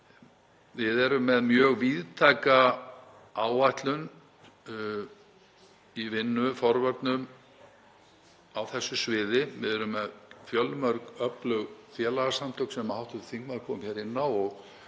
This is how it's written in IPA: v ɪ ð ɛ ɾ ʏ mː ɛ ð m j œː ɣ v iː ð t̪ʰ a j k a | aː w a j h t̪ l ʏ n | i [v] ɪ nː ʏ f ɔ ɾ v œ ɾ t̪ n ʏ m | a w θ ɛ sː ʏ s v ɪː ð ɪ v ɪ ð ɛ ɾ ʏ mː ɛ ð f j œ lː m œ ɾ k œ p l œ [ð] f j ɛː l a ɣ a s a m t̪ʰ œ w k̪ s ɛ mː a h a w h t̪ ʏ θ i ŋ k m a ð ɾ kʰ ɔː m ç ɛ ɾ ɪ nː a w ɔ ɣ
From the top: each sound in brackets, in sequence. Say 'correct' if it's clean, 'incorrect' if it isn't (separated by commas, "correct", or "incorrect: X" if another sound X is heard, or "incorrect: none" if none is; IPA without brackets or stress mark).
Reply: correct, incorrect: ɣ